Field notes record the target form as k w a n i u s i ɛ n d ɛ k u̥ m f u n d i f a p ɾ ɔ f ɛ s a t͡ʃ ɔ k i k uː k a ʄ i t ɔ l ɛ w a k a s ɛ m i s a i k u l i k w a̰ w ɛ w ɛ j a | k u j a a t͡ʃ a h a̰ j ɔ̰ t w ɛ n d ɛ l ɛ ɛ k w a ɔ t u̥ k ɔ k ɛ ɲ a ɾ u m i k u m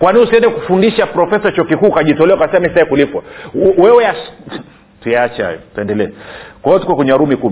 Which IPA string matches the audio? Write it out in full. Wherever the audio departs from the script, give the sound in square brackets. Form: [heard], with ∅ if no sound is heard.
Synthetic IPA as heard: k w a n i u s i ɛ n d ɛ k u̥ [∅] f u n d i [ʃ] a p ɾ ɔ f ɛ s a t͡ʃ ɔ k i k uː k a ʄ i t ɔ l ɛ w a k a s ɛ m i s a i k u l i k w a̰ w ɛ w ɛ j a | [t] u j a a t͡ʃ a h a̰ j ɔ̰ t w ɛ n d ɛ l ɛ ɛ k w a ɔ t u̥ k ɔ k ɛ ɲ a ɾ u m i k u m